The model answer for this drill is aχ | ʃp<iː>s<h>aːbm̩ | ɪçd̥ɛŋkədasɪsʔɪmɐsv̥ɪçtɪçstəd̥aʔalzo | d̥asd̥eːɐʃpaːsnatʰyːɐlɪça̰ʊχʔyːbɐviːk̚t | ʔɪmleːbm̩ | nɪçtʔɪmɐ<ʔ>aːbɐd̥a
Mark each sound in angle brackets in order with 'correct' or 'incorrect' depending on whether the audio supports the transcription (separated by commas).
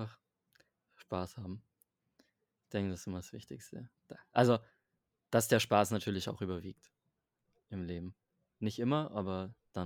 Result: incorrect, correct, correct